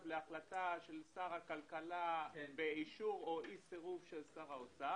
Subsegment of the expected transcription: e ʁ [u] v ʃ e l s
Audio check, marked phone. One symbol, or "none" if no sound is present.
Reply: u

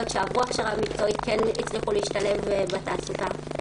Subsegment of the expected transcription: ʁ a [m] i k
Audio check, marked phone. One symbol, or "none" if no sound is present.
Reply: m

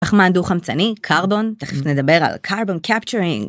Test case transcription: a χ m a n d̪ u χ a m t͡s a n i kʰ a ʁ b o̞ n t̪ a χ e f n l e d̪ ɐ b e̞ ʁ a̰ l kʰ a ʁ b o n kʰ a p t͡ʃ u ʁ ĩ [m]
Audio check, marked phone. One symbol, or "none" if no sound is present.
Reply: ŋ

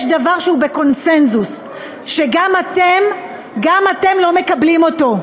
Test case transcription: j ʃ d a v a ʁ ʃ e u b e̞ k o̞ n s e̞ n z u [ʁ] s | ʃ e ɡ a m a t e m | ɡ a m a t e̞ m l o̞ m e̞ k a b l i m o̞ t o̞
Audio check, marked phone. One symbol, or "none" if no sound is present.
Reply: none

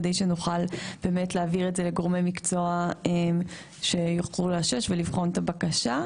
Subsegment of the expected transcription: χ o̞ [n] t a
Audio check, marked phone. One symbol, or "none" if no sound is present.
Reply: n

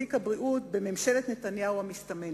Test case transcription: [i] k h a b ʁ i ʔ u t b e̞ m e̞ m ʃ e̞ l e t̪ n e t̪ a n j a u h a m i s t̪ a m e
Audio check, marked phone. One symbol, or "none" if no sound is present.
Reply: i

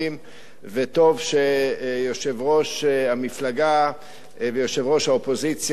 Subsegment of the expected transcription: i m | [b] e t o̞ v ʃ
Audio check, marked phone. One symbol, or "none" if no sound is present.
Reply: v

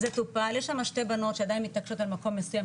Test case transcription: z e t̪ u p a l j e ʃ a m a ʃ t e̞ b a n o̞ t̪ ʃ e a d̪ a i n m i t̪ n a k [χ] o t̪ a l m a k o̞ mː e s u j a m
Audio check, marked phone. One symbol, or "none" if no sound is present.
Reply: ʃ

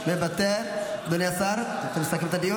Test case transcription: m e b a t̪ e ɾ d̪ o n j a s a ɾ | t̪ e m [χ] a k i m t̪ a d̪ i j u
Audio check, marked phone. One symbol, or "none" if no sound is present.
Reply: s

